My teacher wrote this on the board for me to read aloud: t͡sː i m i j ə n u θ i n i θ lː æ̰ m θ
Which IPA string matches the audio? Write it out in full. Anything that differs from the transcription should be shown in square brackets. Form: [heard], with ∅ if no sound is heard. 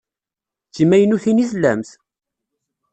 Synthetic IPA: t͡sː i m [æ] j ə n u θ i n i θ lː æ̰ m θ

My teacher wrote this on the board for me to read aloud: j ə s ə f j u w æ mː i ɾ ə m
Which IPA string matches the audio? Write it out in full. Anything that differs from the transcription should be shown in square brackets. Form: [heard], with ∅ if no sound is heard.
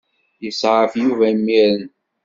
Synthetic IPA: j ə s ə f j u [v] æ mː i ɾ ə [n]

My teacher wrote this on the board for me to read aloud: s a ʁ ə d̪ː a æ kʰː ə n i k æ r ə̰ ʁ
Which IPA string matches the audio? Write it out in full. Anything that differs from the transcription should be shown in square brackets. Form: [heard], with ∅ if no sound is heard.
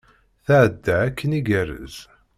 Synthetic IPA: [θ] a [ʕ] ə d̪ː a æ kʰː ə n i [ɡ] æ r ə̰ [z]

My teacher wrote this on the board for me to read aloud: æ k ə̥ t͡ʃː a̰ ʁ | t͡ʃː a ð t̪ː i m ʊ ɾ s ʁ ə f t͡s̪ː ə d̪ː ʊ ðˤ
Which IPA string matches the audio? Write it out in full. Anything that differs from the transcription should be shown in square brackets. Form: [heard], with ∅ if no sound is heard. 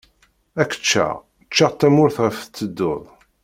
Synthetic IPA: æ k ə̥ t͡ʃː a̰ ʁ | t͡ʃː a [ʁ] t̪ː [æ] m ʊ ɾ [θ] ʁ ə f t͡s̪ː ə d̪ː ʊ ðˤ

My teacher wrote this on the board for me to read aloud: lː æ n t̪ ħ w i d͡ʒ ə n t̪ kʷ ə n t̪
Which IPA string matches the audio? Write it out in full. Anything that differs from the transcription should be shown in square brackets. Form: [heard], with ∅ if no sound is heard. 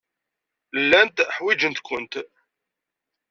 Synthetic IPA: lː æ n t̪ ħ w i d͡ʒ ə n t̪ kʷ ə n t̪

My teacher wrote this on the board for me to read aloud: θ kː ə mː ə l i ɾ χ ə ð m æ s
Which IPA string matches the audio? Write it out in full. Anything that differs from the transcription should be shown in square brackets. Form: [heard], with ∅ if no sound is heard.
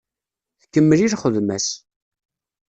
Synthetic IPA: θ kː ə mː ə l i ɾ χ ə ð m æ s

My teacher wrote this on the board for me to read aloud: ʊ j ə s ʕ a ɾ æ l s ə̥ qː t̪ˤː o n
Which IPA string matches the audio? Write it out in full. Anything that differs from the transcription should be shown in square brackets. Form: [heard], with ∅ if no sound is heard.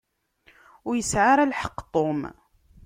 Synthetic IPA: ʊ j ə s ʕ a ɾ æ l [ħ] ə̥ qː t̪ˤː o [m]

